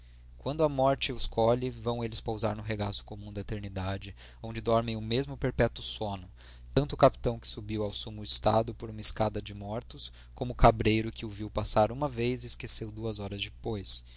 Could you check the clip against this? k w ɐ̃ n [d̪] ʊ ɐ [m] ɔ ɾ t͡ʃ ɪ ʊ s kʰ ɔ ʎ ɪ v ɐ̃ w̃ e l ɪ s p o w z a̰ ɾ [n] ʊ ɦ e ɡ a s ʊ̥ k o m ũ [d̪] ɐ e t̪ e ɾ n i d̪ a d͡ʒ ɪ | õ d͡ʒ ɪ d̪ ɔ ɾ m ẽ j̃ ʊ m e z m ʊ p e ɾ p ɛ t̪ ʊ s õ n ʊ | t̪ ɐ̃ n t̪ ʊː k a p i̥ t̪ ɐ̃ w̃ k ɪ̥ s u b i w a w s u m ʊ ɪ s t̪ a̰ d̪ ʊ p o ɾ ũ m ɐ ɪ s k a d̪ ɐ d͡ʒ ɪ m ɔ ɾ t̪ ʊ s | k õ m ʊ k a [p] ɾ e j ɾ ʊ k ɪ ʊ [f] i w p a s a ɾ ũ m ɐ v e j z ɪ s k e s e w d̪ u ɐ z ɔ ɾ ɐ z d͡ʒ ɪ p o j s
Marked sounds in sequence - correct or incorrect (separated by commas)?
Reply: correct, correct, correct, correct, incorrect, incorrect